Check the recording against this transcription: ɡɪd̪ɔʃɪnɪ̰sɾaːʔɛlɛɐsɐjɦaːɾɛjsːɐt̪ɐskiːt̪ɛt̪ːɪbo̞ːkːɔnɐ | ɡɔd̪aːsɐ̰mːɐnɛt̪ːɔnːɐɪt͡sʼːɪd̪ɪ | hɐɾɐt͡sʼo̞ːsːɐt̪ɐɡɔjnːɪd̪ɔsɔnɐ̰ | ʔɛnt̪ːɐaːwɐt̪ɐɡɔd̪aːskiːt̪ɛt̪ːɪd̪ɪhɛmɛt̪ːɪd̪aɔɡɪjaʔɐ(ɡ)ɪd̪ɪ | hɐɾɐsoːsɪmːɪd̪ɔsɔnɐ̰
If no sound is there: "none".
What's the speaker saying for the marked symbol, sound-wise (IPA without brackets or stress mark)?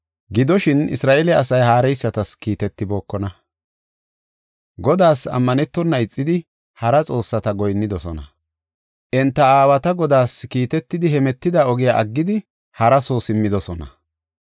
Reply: ɡː